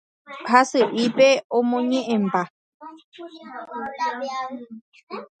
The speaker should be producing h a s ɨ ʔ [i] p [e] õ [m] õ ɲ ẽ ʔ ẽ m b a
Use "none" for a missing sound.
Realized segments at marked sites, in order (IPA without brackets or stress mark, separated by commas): i, e, m